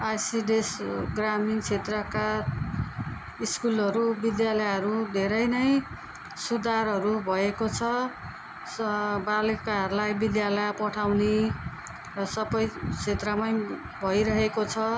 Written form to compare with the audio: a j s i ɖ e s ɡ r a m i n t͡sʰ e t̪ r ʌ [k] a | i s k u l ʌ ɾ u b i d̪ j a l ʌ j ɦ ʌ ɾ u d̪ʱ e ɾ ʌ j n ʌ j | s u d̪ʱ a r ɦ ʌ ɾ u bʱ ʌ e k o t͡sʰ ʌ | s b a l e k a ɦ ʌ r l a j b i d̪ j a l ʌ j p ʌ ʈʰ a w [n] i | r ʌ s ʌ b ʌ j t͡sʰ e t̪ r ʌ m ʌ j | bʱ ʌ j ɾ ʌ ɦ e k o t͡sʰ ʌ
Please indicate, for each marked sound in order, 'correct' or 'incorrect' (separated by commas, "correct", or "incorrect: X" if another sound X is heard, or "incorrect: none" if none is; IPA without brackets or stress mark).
correct, correct